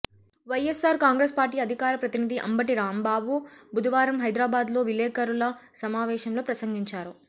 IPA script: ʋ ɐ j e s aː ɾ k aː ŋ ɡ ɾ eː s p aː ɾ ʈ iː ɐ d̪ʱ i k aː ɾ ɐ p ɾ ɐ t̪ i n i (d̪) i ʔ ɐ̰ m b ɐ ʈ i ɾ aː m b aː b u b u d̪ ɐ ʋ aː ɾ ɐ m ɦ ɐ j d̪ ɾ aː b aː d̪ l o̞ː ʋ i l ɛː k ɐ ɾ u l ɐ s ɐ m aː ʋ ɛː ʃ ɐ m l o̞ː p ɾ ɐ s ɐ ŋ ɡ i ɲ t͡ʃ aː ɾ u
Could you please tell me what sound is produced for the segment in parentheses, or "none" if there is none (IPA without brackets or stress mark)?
d̪